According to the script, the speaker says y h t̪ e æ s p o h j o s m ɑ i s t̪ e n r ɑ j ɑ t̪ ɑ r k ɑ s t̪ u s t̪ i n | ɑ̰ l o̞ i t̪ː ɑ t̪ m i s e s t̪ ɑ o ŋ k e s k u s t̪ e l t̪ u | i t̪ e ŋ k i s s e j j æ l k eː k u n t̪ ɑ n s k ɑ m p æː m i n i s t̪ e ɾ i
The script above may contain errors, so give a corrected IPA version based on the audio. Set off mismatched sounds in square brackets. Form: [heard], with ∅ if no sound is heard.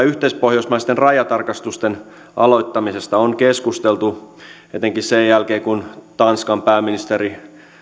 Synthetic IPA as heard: y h t̪ e [i] s p o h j o s m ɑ i s t̪ e n r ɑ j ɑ t̪ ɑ r k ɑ s t̪ u s t̪ [e] n | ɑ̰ l o̞ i t̪ː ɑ [∅] m i s e s t̪ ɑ o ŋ k e s k u s t̪ e l t̪ u | [e] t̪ e ŋ k i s s e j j æ l k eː k u n t̪ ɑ n s k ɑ m p æː m i n i s t̪ e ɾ i

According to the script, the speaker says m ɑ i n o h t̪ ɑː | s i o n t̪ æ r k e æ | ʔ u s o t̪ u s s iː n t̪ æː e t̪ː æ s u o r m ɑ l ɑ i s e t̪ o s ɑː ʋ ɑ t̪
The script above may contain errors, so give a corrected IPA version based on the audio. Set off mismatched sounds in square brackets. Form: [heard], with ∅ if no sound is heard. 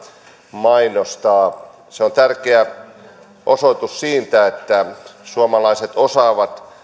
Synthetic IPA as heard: m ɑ i n o [s] t̪ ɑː | s [e] o n t̪ æ r k e æ | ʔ [o] s o t̪ u s s iː n t̪ [æ] e t̪ː æ s u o [∅] m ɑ l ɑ i s e t̪ o s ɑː ʋ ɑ t̪

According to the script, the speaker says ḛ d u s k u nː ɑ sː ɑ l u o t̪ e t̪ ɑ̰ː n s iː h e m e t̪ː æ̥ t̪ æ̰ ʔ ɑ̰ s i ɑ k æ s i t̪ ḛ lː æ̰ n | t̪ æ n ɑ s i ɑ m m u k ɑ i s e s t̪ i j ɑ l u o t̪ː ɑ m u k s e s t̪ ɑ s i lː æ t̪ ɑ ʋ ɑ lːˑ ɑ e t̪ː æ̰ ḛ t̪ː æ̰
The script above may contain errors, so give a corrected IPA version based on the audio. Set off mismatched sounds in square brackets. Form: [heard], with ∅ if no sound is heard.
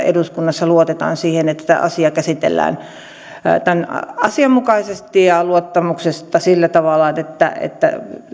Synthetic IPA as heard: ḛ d u s k u nː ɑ sː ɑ l u o t̪ e t̪ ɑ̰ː n s iː h e [n] e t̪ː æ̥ t̪ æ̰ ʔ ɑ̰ s i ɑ k æ s i t̪ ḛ lː [æ̰ː] n | t̪ æ n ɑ s i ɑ m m u k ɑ i s e s t̪ i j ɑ l u o t̪ː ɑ m u k s e s t̪ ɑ s i lː æ t̪ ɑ ʋ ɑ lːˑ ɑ e t̪ː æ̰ ḛ t̪ː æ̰

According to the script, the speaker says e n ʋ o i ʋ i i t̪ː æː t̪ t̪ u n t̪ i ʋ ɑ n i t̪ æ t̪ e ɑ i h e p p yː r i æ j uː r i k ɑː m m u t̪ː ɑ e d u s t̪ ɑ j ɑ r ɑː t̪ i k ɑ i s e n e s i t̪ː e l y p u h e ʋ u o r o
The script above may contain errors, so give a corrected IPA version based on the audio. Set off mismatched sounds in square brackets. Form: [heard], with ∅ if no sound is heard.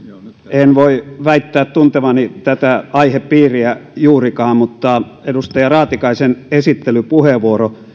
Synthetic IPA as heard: e n ʋ o i ʋ [æ] i t̪ː æː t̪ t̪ u n t̪ [e] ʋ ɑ n i t̪ æ t̪ [æ] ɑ i h e p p [iː] r i æ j uː r i k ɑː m m u t̪ː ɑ e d u s t̪ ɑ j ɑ r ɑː t̪ i k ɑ i s e n e s i t̪ː e l y p u h e ʋ u o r o

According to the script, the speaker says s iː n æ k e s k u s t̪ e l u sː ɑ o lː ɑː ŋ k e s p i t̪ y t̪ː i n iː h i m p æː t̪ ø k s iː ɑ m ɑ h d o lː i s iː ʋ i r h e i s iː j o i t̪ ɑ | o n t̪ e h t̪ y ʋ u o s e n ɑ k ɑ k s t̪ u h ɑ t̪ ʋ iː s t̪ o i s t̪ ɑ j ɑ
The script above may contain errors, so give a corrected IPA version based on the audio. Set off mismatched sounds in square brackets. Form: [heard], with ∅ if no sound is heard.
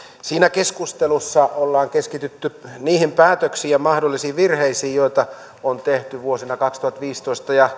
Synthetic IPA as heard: s iː n æ k e s k u s t̪ e l u sː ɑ o lː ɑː ŋ k e s [k] i t̪ y t̪ː [y] n iː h i m p æː t̪ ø k s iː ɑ m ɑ h d o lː i s iː ʋ i r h e i s iː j o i t̪ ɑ | o n t̪ e h t̪ y ʋ u o s [i] n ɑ k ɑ k s t̪ u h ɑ t̪ ʋ iː s t̪ o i s t̪ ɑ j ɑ

